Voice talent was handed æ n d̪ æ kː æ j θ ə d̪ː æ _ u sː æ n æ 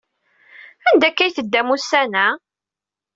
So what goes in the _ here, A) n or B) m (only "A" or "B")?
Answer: B